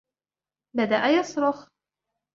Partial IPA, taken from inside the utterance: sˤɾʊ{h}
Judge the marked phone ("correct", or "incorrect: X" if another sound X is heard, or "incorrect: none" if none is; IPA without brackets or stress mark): incorrect: x